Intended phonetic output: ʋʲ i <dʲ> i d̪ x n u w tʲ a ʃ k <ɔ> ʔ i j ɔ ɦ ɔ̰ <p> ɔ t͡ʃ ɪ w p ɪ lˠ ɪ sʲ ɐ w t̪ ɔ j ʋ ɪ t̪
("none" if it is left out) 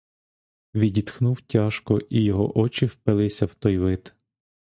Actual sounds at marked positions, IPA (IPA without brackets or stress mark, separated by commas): dʲ, ɔ, ʔ